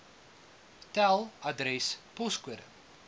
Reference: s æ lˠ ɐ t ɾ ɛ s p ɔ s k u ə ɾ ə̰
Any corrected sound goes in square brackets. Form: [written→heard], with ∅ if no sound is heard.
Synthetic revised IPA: [s→t] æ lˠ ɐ [t→d] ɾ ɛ s p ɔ s k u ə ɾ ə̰